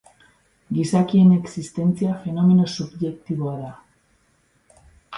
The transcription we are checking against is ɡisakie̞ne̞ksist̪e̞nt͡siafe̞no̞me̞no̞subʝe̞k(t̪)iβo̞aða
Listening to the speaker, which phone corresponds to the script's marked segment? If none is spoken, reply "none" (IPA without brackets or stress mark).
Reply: t̪